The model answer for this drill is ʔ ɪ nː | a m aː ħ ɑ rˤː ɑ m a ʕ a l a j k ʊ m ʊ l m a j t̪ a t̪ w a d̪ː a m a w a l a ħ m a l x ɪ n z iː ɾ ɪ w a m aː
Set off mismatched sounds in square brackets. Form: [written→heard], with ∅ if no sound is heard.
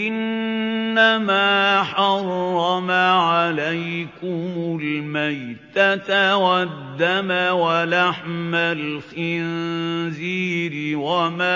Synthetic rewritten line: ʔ ɪ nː | a m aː ħ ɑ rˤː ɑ m a ʕ a l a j k ʊ m ʊ l m a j t̪ a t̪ w a d̪ː a m a w a l a ħ m a l x ɪ n z iː ɾ ɪ w a m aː